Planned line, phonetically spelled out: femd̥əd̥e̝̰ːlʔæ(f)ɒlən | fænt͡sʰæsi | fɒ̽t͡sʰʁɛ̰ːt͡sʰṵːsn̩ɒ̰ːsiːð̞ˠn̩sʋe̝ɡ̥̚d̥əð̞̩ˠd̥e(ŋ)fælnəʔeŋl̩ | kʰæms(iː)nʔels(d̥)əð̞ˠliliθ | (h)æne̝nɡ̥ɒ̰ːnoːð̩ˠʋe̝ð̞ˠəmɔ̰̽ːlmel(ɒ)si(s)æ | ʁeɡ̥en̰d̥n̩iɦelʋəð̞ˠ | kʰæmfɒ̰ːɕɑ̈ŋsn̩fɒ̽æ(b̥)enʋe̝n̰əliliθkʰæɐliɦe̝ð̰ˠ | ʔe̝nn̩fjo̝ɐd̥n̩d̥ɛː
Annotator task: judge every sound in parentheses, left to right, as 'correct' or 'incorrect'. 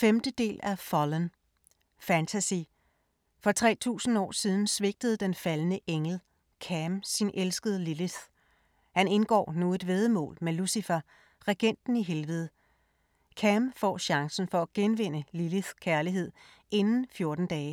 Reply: correct, incorrect: n, incorrect: i, incorrect: ɡ̥, correct, incorrect: u, incorrect: f, incorrect: ɡ̥

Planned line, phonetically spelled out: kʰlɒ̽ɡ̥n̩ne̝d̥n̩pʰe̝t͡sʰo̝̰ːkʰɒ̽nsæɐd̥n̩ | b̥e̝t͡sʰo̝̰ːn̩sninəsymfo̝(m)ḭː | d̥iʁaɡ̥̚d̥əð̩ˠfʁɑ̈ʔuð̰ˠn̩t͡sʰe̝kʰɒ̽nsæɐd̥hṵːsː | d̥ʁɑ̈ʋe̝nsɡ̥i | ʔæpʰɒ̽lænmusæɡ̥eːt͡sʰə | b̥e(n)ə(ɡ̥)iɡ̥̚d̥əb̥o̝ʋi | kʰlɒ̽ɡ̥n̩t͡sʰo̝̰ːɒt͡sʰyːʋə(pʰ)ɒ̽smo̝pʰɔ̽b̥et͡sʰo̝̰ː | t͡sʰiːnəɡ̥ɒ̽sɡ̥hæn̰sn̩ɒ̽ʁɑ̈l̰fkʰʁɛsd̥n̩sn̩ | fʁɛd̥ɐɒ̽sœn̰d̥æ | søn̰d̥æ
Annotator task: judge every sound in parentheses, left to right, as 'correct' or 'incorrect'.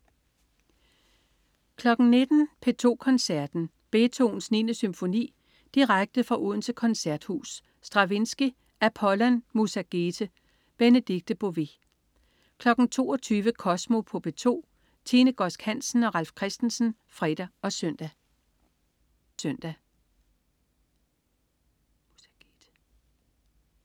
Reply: incorrect: n, correct, incorrect: d̥, incorrect: kʰ

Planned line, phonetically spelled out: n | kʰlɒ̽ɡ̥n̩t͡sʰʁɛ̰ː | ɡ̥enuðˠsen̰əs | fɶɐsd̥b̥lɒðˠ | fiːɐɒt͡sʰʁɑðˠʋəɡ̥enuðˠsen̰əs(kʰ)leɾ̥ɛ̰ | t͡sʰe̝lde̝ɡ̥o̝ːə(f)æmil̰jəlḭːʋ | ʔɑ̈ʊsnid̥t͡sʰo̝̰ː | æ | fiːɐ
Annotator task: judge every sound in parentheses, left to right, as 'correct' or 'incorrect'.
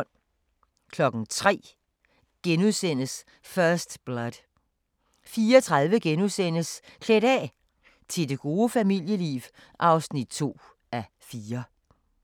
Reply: correct, correct

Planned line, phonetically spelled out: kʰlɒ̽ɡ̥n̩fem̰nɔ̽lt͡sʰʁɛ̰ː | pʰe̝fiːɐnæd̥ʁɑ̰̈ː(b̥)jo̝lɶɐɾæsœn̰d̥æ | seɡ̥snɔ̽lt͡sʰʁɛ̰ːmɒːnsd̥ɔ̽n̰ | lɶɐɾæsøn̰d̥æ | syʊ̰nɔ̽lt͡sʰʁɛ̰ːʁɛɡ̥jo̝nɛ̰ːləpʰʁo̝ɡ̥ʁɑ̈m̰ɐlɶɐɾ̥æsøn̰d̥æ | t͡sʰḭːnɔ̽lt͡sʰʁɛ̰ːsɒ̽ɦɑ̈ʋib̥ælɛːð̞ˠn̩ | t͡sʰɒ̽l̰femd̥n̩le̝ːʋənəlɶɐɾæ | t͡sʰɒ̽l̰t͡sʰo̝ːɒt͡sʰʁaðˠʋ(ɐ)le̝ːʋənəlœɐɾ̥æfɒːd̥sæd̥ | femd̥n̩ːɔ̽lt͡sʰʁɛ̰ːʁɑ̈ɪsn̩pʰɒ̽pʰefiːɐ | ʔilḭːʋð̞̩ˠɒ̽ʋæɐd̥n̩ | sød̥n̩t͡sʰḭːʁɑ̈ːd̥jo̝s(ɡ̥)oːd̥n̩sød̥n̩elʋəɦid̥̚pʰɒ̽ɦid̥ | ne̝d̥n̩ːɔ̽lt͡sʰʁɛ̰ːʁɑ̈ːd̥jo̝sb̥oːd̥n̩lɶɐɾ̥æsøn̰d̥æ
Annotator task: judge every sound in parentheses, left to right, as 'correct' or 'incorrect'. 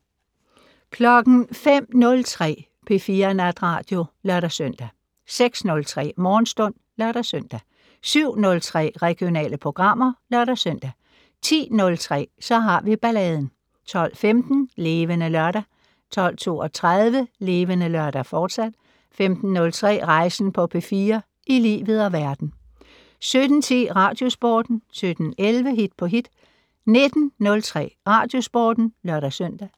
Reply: incorrect: d̥, incorrect: ə, incorrect: b̥

